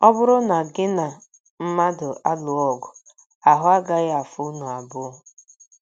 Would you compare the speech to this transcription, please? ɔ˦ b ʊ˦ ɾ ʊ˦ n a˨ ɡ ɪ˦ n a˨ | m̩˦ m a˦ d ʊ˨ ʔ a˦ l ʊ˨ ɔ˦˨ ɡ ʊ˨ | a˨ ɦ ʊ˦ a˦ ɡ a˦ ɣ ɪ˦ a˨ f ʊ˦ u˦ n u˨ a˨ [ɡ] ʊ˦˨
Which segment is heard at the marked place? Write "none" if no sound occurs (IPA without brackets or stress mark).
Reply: b